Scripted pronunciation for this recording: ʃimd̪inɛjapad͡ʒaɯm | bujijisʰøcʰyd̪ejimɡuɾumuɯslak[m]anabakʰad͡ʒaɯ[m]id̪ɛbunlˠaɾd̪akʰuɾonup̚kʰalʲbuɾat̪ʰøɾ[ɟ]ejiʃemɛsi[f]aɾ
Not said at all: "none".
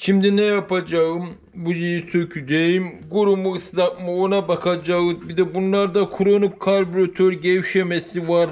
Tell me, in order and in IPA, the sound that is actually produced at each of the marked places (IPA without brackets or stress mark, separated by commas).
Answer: m, b, ɟ, v